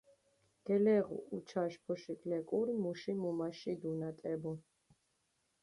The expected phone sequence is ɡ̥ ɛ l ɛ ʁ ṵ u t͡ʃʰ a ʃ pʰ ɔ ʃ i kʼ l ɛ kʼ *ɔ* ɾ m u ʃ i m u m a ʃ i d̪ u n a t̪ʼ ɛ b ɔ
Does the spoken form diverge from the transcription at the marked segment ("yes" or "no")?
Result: yes